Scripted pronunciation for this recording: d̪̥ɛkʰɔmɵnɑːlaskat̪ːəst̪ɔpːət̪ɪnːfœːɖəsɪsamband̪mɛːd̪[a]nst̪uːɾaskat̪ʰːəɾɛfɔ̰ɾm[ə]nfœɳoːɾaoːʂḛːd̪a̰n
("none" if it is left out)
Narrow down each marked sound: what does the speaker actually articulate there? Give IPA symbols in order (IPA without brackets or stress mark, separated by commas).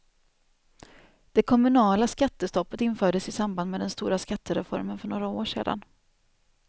ɛ, ə